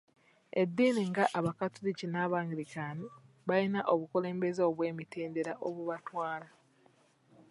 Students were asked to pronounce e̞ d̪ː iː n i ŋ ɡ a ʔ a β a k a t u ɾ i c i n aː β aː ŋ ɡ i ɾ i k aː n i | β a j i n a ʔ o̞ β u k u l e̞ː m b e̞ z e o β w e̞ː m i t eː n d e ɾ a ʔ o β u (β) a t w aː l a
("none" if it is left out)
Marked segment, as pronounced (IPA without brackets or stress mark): β